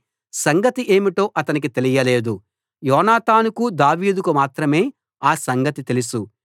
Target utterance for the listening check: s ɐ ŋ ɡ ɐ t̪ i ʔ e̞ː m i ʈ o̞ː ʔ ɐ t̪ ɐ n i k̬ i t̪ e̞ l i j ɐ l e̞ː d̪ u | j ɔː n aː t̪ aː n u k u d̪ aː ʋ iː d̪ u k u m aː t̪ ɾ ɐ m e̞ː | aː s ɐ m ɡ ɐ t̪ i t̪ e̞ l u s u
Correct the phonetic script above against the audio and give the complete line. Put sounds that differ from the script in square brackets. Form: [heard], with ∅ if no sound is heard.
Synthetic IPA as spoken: s ɐ ŋ ɡ ɐ t̪ i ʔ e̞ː m i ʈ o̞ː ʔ ɐ t̪ ɐ n i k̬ i t̪ e̞ l i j ɐ l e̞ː d̪ u | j ɔː n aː t̪ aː n u k u d̪ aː ʋ iː d̪ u k u m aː t̪ ɾ ɐ m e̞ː | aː s ɐ [ŋ] ɡ ɐ t̪ i t̪ e̞ l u s u